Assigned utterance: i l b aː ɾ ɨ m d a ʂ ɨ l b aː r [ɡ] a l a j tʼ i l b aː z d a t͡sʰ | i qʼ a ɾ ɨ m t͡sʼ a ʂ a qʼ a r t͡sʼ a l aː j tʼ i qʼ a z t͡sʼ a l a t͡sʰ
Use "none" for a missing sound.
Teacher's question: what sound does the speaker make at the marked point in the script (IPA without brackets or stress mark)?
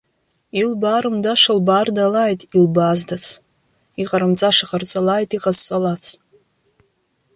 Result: d